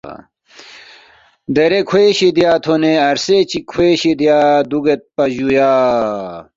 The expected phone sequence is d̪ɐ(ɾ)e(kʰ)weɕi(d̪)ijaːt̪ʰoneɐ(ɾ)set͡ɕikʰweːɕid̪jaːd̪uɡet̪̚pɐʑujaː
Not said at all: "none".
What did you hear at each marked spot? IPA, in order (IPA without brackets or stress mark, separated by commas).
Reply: ɾ, kʰ, d̪, ɾ